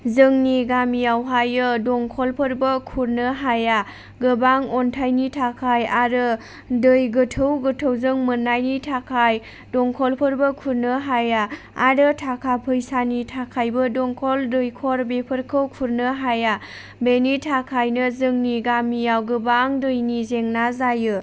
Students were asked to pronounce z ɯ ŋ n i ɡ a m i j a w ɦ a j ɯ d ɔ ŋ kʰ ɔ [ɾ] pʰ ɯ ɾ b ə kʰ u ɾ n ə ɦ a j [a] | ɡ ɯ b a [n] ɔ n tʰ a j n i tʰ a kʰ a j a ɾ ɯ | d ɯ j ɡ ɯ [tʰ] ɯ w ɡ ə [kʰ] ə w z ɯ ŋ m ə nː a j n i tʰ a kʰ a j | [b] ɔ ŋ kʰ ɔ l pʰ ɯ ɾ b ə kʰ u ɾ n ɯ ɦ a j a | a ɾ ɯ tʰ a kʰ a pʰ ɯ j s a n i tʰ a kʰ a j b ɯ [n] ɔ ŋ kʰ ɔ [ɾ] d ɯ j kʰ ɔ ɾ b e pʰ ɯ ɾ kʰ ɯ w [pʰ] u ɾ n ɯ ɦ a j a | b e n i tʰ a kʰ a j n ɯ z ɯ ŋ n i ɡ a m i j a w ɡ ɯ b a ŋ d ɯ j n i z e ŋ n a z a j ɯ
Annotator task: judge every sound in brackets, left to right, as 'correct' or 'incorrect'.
incorrect, correct, incorrect, correct, incorrect, incorrect, incorrect, incorrect, incorrect

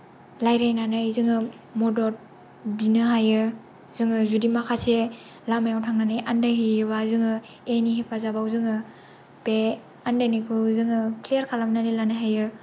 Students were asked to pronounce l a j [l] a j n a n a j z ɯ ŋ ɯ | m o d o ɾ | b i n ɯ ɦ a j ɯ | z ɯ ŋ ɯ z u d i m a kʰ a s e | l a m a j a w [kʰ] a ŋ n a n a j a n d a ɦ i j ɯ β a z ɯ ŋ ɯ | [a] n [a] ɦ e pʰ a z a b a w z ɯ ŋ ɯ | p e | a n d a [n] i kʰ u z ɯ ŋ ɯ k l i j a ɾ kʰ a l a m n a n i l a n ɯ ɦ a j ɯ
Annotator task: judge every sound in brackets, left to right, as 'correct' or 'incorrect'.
incorrect, incorrect, incorrect, incorrect, correct

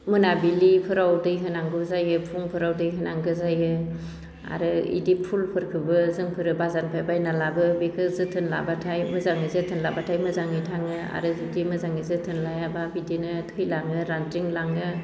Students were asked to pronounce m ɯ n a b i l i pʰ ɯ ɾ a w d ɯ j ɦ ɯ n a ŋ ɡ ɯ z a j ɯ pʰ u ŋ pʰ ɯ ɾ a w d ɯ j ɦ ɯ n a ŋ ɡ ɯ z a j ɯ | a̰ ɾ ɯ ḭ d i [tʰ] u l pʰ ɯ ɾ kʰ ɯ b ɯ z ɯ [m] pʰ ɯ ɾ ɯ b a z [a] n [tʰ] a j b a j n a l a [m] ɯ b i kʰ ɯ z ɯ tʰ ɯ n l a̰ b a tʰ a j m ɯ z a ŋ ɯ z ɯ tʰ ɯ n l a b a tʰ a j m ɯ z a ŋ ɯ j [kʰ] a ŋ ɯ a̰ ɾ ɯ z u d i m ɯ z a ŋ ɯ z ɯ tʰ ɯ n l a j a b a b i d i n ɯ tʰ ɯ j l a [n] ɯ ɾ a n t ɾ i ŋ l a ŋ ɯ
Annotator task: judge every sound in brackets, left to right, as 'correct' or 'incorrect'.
incorrect, incorrect, correct, incorrect, incorrect, incorrect, incorrect

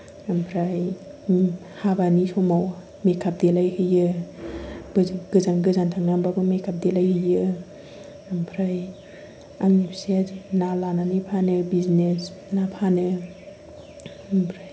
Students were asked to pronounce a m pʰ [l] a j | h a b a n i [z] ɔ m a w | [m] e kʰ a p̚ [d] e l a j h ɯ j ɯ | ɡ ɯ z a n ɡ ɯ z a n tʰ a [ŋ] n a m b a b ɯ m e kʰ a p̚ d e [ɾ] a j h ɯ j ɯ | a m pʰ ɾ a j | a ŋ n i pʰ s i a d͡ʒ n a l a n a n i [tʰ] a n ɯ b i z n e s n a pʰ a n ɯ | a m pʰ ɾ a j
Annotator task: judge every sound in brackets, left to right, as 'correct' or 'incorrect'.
incorrect, incorrect, correct, correct, correct, incorrect, incorrect

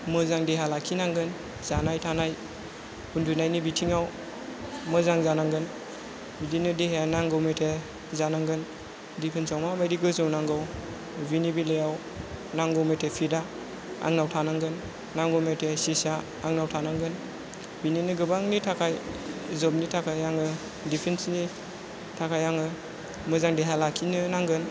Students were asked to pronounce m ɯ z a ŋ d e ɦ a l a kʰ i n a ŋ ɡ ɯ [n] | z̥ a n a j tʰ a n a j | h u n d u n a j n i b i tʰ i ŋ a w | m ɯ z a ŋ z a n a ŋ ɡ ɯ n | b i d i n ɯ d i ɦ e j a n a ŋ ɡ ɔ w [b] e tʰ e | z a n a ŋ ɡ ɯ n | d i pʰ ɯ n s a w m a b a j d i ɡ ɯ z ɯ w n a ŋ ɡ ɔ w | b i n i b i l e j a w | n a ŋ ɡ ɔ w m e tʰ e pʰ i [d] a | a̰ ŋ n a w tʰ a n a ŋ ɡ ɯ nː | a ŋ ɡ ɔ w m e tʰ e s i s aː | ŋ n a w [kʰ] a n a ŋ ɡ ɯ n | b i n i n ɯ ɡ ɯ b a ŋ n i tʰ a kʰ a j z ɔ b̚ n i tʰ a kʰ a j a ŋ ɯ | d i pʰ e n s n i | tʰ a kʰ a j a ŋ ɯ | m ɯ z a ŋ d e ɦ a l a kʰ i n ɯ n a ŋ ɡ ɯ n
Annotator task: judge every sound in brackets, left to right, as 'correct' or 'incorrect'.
correct, incorrect, correct, incorrect

